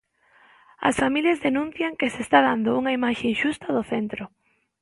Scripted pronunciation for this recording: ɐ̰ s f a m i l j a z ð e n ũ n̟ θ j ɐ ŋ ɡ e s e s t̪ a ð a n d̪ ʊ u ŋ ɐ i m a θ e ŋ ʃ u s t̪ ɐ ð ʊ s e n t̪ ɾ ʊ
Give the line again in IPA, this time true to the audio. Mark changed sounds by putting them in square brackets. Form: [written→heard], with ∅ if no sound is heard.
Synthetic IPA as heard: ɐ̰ s f a m i l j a z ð e n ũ n̟ θ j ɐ ŋ [ɡ→k] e s e s t̪ a ð a n d̪ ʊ u ŋ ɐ i m a [θ→ʃ] e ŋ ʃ u s t̪ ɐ ð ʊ [s→θ] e n t̪ ɾ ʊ